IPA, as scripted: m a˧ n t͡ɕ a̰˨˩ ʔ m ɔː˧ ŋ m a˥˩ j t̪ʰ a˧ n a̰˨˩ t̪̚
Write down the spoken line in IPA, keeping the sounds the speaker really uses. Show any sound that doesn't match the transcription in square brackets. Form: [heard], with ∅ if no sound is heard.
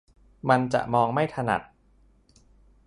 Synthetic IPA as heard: m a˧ n t͡ɕ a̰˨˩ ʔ m ɔː˧ ŋ m a˥˩ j t̪ʰ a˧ n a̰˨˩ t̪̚